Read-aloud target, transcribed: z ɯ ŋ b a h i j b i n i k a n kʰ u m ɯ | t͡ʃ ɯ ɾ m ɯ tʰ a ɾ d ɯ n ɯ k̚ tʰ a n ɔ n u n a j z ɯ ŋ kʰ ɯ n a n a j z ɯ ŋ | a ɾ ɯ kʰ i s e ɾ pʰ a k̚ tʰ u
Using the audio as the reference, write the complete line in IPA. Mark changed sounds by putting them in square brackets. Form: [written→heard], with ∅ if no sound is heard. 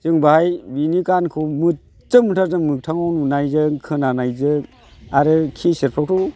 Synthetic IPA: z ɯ ŋ b a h [i→a] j b i n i k a n kʰ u m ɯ | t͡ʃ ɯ [ɾ→∅] m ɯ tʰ a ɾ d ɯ [n→m] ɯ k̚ tʰ a [n→ŋ] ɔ n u n a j z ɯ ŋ kʰ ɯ n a n a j z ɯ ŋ | a ɾ ɯ kʰ i s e ɾ pʰ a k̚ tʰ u